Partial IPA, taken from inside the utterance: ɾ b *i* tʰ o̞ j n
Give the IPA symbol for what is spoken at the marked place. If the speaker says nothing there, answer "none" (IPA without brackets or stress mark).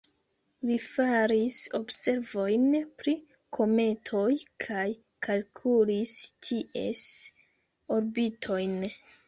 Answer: i